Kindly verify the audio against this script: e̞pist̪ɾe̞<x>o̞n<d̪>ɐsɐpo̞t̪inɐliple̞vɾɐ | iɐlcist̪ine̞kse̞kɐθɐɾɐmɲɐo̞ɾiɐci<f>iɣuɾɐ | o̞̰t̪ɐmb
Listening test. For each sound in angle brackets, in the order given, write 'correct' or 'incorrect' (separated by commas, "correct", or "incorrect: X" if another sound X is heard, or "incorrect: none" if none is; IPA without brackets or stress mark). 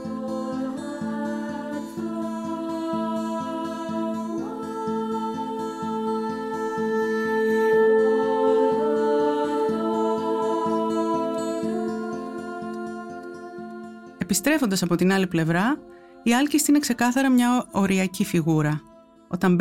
incorrect: f, correct, correct